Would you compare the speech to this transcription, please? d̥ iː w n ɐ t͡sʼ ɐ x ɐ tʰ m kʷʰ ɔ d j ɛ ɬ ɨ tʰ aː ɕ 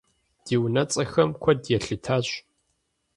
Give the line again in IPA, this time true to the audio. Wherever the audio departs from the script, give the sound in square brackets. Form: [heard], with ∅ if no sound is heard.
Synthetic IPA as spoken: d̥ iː w n ɐ t͡sʼ ɐ x ɐ [∅] m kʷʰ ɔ d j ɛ ɬ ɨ tʰ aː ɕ